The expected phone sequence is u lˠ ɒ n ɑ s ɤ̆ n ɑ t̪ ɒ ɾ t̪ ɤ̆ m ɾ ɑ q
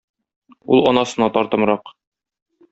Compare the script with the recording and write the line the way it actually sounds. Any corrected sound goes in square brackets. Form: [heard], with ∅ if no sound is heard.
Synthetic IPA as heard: u lˠ ɒ n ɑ s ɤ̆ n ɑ t̪ ɒ ɾ t̪ ɤ̆ m ɾ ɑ q